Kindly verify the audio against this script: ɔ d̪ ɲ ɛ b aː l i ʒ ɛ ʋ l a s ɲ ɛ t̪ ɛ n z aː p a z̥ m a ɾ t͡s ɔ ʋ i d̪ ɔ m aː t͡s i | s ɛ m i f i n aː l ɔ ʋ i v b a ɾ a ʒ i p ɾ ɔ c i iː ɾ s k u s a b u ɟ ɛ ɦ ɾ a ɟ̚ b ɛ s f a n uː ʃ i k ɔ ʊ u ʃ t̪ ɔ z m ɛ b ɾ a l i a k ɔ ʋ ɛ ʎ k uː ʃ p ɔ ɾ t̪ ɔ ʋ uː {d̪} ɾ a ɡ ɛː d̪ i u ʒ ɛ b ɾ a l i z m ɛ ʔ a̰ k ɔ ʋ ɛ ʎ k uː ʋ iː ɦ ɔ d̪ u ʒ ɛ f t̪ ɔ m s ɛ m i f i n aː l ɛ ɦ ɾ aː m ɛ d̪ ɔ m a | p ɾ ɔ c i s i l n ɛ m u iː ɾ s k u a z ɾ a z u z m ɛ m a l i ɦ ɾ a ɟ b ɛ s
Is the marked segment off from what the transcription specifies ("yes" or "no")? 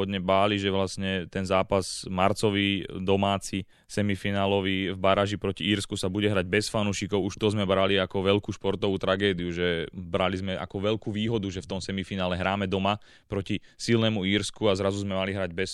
yes